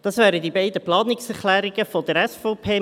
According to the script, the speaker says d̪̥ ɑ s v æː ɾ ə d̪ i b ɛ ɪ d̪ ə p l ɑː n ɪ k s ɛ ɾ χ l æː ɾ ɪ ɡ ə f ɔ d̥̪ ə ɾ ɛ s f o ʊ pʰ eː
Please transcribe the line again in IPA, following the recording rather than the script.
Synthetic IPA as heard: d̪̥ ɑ s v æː ɾ ə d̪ i b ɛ ɪ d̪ ə p l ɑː n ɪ k s ɛ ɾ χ l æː ɾ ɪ ɡ ə f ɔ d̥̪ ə ɾ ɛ s f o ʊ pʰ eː